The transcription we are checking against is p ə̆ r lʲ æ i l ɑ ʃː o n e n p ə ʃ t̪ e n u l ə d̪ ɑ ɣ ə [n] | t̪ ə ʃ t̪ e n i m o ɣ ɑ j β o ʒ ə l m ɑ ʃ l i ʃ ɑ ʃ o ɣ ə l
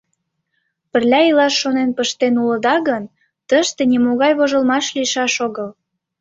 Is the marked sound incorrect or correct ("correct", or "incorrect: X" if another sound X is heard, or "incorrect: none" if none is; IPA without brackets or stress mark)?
correct